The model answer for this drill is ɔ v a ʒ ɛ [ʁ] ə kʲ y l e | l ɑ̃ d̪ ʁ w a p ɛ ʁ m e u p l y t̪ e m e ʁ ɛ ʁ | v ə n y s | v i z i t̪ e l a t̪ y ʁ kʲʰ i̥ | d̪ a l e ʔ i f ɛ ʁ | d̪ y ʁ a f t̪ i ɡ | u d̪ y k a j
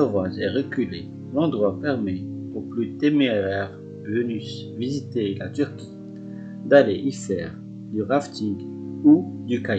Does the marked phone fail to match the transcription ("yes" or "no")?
no